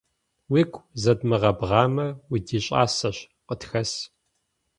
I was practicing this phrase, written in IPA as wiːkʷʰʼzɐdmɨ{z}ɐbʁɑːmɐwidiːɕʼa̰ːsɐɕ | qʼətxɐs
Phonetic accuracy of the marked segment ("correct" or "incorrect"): incorrect